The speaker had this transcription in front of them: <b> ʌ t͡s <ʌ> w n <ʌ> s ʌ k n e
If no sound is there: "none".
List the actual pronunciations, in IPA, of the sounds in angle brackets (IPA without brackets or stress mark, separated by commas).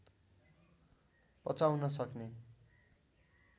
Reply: p, a, ʌ